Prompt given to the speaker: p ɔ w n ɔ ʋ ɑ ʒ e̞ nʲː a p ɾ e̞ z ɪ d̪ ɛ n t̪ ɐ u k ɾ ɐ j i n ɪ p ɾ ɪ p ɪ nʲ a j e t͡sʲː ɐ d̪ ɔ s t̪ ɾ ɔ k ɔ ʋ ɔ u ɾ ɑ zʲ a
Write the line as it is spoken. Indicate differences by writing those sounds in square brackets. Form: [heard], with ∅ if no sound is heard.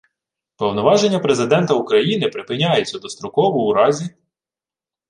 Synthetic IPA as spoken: p ɔ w n ɔ ʋ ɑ ʒ e̞ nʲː [ɐ] p ɾ e̞ z ɪ d̪ ɛ n t̪ ɐ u k ɾ ɐ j i n ɪ p ɾ ɪ p ɪ nʲ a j e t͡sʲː ɐ d̪ ɔ s t̪ ɾ ɔ k ɔ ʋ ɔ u ɾ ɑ zʲ [i]